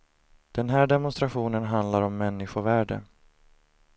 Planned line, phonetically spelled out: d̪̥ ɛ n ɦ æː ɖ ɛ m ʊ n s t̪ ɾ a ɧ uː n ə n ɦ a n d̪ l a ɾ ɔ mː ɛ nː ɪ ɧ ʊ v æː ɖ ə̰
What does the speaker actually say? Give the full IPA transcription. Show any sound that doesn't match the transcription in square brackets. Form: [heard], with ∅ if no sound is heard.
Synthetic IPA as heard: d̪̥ ɛ n ɦ æː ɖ ɛ m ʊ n s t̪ ɾ a ɧ uː n ə n ɦ a n d̪ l a ɾ ɔ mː ɛ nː ɪ ɧ ʊ v æː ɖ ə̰

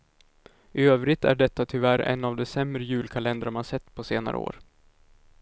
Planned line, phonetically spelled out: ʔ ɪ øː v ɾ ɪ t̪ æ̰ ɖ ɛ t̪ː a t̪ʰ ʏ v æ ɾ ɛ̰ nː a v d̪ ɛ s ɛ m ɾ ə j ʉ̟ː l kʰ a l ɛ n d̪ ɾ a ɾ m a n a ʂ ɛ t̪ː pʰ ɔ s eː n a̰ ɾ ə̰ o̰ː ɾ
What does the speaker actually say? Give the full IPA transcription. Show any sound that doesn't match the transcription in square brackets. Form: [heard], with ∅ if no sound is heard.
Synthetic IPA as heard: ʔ ɪ øː v ɾ ɪ t̪ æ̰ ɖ ɛ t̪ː a t̪ʰ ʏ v æ ɾ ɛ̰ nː a v d̪ ɛ s ɛ m ɾ ə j ʉ̟ː l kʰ a l ɛ n d̪ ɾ a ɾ m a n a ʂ ɛ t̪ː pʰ ɔ s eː n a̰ ɾ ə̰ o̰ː ɾ

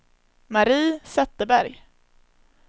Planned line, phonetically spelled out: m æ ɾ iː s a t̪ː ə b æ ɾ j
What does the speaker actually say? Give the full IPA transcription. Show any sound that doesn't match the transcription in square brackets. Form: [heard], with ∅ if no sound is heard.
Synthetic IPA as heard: m [a] ɾ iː s [ɛ] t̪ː ə b æ ɾ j

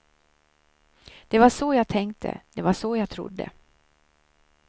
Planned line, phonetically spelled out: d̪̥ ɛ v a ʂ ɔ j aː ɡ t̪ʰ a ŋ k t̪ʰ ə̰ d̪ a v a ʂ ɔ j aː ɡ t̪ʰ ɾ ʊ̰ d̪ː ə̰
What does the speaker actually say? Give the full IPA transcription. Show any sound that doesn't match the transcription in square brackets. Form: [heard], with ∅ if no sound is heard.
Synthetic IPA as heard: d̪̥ ɛ v a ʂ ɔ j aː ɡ t̪ʰ [ɛ] ŋ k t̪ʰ ə̰ d̪ [ɛ] v a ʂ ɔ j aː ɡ t̪ʰ ɾ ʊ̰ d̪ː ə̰

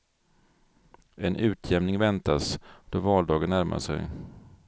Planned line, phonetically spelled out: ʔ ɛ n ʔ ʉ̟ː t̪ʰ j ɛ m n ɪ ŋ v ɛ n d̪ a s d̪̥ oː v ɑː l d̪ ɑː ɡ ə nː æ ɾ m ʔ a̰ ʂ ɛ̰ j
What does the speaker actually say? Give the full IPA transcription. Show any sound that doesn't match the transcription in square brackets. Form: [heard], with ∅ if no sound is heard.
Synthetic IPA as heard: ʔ ɛ n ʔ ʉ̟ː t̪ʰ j ɛ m n ɪ ŋ v ɛ n [t̪] a s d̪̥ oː v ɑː l d̪ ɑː ɡ ə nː æ ɾ m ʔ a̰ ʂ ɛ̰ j

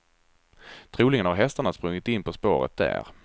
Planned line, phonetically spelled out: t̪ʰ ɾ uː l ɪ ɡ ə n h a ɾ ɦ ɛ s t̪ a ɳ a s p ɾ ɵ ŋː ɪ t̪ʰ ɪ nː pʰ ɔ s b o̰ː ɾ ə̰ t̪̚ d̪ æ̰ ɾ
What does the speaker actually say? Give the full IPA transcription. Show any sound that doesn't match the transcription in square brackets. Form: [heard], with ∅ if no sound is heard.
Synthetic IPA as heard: t̪ʰ ɾ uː l ɪ [ŋ] ə n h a ɾ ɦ ɛ s t̪ a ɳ a s p ɾ ɵ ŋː ɪ [t̪] ɪ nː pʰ ɔ s [p] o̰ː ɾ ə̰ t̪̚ d̪ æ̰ ɾ

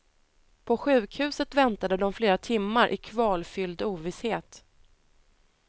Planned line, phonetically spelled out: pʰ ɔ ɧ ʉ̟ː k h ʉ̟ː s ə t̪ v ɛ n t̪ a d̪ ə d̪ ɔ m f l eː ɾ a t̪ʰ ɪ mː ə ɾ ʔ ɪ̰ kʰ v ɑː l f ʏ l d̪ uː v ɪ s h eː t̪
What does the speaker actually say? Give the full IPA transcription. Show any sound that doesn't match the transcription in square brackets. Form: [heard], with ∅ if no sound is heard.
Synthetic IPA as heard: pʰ ɔ ɧ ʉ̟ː k h ʉ̟ː s ə t̪ v ɛ n t̪ a d̪ ə d̪ ɔ m f l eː ɾ a t̪ʰ ɪ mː [a] ɾ ʔ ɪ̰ kʰ v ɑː l f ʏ l d̪ uː v ɪ s h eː t̪

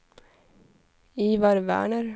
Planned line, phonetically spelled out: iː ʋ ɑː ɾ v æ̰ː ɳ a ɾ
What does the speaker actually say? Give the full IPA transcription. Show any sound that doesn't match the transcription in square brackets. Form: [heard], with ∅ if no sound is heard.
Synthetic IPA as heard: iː ʋ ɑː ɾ [ʋ] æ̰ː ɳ [ə] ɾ

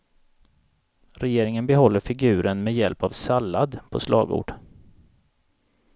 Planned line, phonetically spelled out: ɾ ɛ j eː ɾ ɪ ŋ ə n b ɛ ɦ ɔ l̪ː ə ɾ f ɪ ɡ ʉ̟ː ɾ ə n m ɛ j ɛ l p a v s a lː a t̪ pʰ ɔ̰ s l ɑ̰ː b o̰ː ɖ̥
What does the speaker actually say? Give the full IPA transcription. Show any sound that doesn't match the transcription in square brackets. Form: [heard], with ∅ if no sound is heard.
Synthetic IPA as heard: ɾ ɛ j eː ɾ ɪ ŋ ə n b ɛ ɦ ɔ l̪ː ə ɾ f ɪ ɡ ʉ̟ː ɾ ə n m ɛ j ɛ l p a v s a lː a [d̪] pʰ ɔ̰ s l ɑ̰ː [ɡ] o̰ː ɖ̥

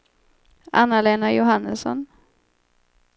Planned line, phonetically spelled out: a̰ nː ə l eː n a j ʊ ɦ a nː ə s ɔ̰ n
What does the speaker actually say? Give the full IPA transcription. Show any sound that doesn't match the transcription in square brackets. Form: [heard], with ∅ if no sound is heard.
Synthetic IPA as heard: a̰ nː [a] l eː n a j ʊ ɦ a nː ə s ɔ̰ n

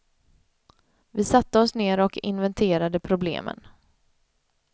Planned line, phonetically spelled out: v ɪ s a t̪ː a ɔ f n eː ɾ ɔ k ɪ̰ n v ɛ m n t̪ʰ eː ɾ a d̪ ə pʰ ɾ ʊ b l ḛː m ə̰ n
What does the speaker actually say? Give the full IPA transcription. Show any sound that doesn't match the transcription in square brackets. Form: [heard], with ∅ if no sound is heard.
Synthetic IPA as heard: v ɪ s a t̪ː [ə] ɔ [s] n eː ɾ ɔ k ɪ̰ n v ɛ [∅] n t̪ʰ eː ɾ a d̪ ə pʰ ɾ ʊ b l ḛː m ə̰ n

